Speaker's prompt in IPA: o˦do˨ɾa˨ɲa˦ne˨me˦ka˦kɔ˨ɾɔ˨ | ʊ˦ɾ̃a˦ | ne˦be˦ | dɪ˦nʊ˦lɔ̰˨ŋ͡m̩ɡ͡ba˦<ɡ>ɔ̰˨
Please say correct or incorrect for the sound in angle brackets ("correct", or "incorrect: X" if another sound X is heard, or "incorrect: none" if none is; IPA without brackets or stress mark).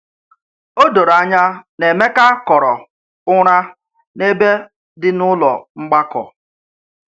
incorrect: k